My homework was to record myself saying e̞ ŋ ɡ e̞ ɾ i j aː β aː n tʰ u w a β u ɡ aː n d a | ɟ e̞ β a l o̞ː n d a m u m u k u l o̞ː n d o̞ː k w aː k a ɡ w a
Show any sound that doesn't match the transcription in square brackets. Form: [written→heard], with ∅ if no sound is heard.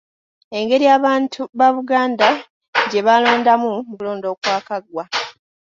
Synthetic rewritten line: e̞ ŋ ɡ e̞ ɾ i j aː β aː n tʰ u [w→β] a β u ɡ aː n d a | ɟ e̞ β a l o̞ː n d a m u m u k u l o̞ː n d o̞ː k w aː k a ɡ w a